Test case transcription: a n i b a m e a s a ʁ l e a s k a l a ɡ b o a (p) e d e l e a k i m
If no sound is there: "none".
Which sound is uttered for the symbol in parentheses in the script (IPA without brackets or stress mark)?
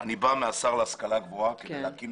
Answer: k